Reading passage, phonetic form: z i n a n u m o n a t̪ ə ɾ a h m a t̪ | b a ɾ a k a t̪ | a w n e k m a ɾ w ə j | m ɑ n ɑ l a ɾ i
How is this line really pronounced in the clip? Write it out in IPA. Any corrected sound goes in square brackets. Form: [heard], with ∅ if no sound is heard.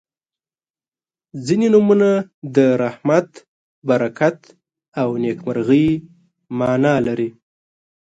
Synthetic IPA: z i n [e] n u m [u] n a [d̪] ə ɾ a h m a t̪ | b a ɾ a k a t̪ | a w n e k m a ɾ [ɣ] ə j | m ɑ n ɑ l a ɾ i